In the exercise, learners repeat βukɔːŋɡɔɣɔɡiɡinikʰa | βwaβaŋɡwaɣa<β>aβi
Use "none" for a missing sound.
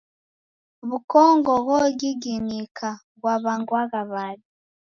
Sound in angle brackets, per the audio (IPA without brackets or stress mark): β